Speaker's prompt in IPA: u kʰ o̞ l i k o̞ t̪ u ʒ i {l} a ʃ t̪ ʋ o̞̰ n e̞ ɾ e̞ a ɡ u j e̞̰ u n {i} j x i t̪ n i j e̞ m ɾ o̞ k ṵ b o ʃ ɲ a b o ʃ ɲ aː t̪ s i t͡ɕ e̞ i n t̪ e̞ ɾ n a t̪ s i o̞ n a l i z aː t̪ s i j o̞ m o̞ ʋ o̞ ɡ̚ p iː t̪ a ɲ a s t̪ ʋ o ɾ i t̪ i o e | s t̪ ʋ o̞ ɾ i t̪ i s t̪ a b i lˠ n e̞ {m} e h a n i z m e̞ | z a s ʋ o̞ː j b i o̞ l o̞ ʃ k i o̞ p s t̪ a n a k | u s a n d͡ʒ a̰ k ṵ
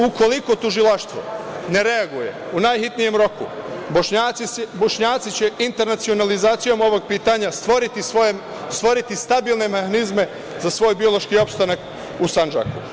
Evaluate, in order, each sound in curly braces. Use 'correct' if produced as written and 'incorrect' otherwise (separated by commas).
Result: correct, incorrect, correct